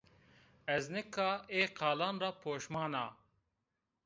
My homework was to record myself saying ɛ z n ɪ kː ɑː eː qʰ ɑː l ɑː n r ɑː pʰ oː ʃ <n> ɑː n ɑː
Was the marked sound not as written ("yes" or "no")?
yes